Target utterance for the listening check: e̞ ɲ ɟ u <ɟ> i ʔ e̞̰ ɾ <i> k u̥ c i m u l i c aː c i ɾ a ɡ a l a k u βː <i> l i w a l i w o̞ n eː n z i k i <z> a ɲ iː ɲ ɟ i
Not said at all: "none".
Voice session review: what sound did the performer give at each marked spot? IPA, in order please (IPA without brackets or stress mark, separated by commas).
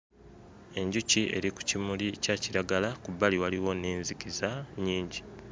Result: c, i, a, z